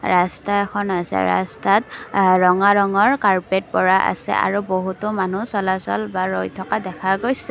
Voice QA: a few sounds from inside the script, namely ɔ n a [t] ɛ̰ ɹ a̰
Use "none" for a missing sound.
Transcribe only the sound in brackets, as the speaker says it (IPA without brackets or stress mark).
s